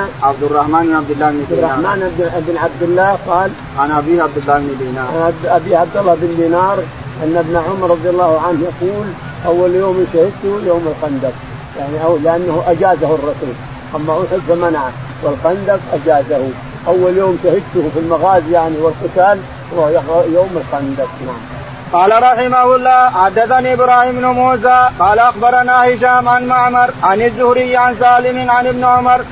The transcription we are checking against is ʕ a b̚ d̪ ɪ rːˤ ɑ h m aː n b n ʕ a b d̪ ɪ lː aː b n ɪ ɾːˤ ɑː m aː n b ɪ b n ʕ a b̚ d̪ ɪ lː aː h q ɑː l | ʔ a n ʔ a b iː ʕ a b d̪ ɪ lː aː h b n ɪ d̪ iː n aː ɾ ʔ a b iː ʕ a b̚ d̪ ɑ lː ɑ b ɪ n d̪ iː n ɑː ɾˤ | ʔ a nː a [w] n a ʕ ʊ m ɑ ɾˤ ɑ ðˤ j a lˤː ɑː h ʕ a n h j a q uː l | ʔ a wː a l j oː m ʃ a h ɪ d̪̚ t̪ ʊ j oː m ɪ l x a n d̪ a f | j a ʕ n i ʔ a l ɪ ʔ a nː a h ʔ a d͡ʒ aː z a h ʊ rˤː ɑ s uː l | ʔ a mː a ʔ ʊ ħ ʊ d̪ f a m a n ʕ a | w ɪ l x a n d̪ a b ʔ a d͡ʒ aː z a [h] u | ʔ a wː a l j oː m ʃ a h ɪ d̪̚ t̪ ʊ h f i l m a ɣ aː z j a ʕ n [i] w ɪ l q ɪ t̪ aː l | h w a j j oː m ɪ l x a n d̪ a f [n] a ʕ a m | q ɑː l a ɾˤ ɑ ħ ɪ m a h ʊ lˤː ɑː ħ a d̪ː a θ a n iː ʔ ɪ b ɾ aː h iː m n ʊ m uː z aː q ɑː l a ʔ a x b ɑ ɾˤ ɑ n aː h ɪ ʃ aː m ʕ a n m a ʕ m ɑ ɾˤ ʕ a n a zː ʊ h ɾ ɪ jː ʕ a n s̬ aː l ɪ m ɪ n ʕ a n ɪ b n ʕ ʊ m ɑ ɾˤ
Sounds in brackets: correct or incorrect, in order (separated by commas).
incorrect, correct, correct, correct